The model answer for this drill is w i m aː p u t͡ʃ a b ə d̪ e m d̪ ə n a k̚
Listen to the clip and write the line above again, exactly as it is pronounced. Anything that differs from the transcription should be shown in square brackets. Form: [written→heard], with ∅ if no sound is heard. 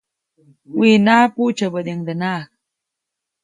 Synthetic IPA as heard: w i [m→n] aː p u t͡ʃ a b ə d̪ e [m→ŋ] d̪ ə n a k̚